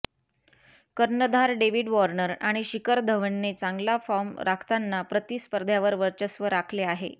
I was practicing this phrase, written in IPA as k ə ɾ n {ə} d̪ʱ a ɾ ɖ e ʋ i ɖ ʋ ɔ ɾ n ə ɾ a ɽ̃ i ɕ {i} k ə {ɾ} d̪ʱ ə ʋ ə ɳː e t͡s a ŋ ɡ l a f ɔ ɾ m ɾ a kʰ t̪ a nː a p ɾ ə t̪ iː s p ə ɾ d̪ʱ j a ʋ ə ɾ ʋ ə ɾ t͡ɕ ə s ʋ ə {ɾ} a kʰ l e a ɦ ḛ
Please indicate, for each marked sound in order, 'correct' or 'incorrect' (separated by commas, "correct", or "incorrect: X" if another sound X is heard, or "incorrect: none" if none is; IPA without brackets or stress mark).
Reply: correct, correct, correct, correct